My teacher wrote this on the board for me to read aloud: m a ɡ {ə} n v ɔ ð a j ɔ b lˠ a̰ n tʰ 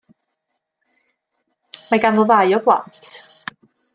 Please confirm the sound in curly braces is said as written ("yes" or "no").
no